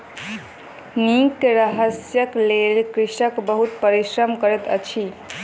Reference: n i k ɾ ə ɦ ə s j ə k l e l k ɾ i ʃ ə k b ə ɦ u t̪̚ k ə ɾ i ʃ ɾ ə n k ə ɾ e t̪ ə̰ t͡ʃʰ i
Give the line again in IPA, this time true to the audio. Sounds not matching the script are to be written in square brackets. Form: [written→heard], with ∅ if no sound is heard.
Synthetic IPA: n i k ɾ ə ɦ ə s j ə k l e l k ɾ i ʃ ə k b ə ɦ u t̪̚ [k→p] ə ɾ i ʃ ɾ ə [n→m] k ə ɾ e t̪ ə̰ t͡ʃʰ i